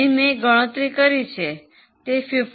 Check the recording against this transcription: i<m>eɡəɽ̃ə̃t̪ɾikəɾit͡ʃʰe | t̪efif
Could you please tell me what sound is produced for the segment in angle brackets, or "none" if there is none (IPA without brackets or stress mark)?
m